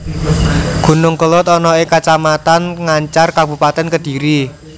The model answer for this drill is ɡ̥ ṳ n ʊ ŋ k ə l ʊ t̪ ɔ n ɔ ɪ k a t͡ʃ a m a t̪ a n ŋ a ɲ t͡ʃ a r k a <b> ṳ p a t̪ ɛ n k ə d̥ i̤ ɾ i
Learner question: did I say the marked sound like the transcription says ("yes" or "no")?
yes